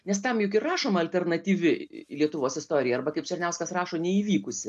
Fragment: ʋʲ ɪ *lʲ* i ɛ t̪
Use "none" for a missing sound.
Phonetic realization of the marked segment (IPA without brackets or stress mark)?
lʲ